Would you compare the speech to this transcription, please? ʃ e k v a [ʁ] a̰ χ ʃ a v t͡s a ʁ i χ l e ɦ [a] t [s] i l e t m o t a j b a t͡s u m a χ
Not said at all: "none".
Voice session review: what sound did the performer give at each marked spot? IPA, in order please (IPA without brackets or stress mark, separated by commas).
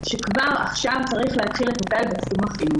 ʁ, a, χ